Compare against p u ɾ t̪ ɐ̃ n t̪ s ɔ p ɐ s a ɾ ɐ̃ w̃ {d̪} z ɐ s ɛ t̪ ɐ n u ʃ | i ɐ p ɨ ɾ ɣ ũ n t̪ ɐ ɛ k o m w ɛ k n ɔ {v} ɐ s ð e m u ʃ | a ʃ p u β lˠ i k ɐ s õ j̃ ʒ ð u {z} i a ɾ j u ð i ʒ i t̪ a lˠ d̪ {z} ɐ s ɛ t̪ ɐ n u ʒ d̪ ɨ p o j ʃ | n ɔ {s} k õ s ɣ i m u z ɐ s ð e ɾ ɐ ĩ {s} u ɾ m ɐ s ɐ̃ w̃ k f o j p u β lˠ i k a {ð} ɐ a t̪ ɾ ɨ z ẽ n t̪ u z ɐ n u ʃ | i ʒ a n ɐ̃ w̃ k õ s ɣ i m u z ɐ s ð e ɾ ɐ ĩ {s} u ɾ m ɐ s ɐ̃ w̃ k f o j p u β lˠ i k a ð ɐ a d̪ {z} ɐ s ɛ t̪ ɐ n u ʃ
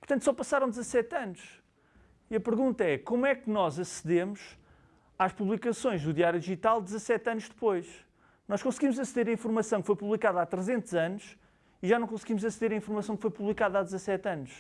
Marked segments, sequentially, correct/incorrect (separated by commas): correct, incorrect, incorrect, correct, incorrect, incorrect, correct, incorrect, correct